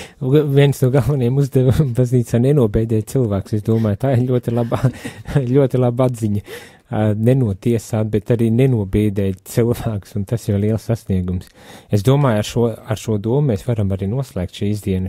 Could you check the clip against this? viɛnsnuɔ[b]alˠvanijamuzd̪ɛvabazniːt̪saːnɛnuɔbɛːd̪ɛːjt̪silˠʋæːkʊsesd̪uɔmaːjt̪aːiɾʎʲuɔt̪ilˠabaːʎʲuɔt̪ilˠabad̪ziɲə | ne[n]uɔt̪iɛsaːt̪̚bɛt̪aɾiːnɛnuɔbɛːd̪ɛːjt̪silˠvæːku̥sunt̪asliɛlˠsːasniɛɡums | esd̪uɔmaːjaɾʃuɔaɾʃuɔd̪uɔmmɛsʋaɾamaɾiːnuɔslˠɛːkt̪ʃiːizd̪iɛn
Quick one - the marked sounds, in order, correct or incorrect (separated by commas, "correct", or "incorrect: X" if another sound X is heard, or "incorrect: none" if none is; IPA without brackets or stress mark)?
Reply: incorrect: ɡ, correct